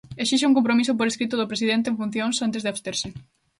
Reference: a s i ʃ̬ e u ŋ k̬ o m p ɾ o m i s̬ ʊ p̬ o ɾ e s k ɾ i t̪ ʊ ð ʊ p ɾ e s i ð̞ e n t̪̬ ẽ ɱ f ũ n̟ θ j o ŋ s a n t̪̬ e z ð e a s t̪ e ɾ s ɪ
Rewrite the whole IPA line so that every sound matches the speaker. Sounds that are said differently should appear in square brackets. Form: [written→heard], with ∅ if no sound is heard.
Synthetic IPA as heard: [a→e] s i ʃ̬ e u ŋ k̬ o m p ɾ o m i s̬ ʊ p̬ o ɾ e s k ɾ i t̪ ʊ ð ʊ p ɾ e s i ð̞ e n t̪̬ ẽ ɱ f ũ n̟ θ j o ŋ s a n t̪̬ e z ð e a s t̪ e ɾ s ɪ